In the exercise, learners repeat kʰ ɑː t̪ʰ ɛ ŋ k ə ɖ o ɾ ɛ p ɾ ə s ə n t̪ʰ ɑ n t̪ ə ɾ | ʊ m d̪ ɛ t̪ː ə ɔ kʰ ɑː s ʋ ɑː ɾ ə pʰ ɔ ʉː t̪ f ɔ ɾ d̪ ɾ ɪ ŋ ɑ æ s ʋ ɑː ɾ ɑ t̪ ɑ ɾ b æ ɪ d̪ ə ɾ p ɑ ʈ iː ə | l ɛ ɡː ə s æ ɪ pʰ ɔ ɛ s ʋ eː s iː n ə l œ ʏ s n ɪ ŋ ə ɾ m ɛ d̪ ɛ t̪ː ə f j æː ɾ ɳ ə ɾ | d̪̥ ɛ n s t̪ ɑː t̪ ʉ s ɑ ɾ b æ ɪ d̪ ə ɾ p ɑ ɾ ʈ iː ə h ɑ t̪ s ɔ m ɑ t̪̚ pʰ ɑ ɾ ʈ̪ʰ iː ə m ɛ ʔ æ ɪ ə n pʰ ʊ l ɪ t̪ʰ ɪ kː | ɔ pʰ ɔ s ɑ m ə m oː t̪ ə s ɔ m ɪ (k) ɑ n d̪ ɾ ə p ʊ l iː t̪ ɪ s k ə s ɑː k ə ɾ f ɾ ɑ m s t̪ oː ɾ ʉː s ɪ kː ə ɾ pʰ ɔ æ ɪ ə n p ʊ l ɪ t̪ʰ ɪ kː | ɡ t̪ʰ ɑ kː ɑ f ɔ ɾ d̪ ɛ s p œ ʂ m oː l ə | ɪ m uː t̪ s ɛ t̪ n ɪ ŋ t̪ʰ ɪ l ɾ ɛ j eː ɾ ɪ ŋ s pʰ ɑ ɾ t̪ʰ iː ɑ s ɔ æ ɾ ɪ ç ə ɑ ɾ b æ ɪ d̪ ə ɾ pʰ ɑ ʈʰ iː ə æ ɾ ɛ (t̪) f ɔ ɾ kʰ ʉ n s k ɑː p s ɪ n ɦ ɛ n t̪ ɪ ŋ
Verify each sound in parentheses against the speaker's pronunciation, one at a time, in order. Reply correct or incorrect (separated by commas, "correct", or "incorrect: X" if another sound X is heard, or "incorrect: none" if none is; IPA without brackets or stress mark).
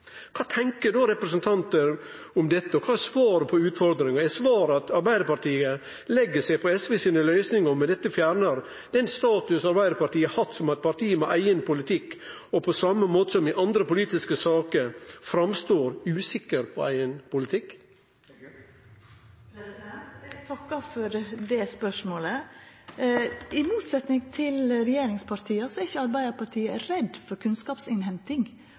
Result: incorrect: ʔ, incorrect: d̪